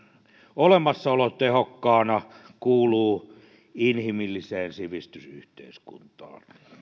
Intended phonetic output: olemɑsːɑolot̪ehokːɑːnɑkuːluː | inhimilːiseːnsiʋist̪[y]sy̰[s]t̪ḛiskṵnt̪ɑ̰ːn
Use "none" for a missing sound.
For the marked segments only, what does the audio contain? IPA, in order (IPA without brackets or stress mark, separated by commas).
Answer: y, h